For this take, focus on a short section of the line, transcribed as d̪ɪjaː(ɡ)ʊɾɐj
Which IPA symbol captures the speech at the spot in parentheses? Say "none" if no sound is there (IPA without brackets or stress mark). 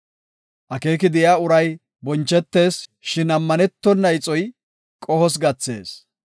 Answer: none